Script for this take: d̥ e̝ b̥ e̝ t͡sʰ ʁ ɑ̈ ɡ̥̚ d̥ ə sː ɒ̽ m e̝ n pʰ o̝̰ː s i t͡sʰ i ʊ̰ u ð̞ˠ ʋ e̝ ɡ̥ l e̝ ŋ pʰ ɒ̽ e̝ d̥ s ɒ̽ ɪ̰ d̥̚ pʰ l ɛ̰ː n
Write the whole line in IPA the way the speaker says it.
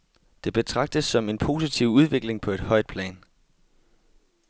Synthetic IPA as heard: d̥ e̝ b̥ e̝ t͡sʰ ʁ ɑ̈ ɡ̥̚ d̥ ə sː ɒ̽ m e̝ n pʰ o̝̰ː s i t͡sʰ i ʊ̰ u ð̞ˠ ʋ e̝ ɡ̥ l e̝ ŋ pʰ ɒ̽ e̝ d̥ h ɒ̽ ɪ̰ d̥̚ pʰ l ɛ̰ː n

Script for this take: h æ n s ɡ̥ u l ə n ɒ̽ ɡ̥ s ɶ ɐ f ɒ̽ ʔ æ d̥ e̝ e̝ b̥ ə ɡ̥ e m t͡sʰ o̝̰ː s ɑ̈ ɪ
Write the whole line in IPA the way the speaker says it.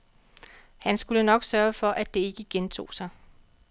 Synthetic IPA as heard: h æ n s ɡ̥ u l ə n ɒ̽ ɡ̥ s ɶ ɐ f ɒ̽ ʔ æ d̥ e̝ e̝ ɡ̥ ə ɡ̥ e n t͡sʰ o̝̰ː s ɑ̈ ɪ

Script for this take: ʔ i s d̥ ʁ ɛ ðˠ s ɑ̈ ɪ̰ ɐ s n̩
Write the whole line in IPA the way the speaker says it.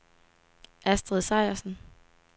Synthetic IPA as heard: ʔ æ s d̥ ʁ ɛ ðˠ s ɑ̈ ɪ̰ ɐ s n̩

